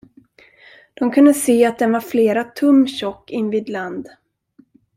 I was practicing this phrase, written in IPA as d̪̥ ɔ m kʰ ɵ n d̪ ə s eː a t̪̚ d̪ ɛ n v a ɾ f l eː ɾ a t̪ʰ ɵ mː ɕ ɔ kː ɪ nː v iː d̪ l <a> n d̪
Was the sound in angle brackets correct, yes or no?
yes